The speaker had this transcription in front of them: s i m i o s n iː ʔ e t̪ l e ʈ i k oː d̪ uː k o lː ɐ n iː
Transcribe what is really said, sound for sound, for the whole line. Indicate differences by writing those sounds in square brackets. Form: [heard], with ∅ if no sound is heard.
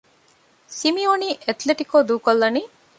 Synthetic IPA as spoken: s i m i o [∅] n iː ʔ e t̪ l e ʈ i k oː d̪ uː k o lː ɐ n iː

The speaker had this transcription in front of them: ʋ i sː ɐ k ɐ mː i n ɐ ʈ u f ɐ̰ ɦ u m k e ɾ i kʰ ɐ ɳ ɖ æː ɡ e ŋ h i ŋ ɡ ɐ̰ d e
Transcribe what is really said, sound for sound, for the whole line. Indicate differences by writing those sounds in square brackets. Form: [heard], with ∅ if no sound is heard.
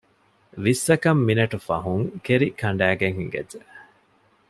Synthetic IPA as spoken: ʋ i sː ɐ k ɐ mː i n ɐ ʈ u f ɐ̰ ɦ u [ŋ] k e ɾ i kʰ ɐ ɳ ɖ æː ɡ e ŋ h i ŋ ɡ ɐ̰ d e

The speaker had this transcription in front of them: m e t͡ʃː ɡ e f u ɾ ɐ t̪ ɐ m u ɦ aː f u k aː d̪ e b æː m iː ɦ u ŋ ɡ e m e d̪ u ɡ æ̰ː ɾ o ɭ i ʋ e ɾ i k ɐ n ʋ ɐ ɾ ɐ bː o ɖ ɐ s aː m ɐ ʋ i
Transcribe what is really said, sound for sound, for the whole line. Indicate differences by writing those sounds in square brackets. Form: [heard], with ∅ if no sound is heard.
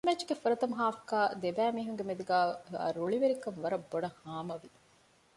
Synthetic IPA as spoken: m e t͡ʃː ɡ e f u ɾ ɐ t̪ ɐ m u ɦ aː f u k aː d̪ e b æː m iː ɦ u ŋ ɡ e m e d̪ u ɡ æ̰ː ɾ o ɭ i ʋ e ɾ i k ɐ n ʋ ɐ ɾ ɐ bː o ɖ ɐ [h] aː m ɐ ʋ i

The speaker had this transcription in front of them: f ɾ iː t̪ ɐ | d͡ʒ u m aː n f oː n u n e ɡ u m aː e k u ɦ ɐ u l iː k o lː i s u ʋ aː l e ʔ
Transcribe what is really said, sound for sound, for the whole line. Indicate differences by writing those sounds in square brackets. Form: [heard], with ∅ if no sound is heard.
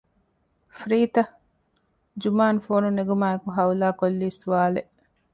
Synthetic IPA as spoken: f ɾ iː t̪ ɐ | d͡ʒ u m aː n f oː n u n e ɡ u m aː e k u ɦ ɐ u l [aː] k o lː [iː] s u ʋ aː l e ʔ

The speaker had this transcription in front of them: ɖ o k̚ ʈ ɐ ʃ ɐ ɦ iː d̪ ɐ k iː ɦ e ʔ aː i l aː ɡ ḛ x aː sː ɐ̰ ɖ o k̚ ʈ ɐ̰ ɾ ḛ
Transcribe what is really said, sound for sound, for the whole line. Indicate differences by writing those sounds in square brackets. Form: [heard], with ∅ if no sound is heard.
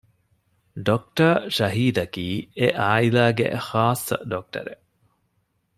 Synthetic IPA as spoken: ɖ o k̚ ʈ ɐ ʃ ɐ ɦ iː d̪ ɐ k iː [∅] e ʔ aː i l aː ɡ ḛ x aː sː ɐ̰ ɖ o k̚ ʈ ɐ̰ ɾ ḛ

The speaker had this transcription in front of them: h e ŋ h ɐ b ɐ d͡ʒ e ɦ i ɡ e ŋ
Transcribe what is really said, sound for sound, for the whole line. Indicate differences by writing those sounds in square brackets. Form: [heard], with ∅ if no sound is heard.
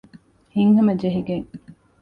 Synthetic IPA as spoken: h [i] ŋ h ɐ [m] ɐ d͡ʒ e ɦ i ɡ e ŋ

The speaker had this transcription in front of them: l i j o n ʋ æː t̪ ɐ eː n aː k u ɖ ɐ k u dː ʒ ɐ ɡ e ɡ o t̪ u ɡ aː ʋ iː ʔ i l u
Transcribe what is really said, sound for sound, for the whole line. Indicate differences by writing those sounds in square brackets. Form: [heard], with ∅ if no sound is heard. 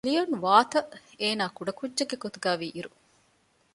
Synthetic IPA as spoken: l i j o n ʋ [aː] t̪ ɐ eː n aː k u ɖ ɐ k u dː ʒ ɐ ɡ e ɡ o t̪ u ɡ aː ʋ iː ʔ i [ɾ] u

